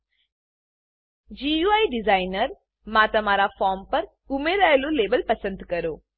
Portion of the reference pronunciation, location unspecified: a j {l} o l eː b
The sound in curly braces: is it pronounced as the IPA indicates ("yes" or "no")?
yes